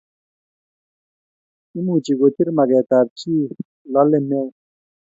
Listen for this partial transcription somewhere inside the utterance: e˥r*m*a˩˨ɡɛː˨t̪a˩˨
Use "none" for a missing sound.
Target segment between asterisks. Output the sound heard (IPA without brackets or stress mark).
m